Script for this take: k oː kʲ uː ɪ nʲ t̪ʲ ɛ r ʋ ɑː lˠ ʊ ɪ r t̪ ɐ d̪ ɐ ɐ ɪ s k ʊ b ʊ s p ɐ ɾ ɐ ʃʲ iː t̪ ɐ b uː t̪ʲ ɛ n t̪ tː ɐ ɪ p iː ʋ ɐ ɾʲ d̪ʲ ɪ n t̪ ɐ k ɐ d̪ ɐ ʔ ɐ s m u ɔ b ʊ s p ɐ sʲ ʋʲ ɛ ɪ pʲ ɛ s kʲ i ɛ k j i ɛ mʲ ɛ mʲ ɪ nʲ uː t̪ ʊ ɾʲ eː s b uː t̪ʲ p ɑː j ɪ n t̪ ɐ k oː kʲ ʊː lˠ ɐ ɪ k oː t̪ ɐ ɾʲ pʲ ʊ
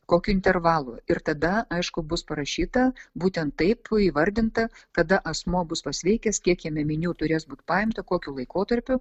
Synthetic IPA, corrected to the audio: k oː kʲ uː ɪ nʲ t̪ʲ ɛ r ʋ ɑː lˠ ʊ ɪ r t̪ ɐ d̪ ɐ ɐ ɪ ʃ k ʊ b ʊ s p ɐ ɾ ɐ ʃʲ iː t̪ ɐ b uː t̪ʲ ɛ n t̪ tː ɐ ɪ p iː ʋ ɐ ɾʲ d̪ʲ ɪ n t̪ ɐ k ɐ d̪ ɐ ʔ ɐ s m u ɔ b ʊ s p ɐ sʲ ʋʲ ɛ ɪ kʲ ɛ s kʲ i ɛ k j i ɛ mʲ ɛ mʲ ɪ nʲ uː t̪ ʊ ɾʲ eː s b uː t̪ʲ p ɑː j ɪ m t̪ ɐ k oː kʲ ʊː lˠ ɐ ɪ k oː t̪ ɐ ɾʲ pʲ ʊ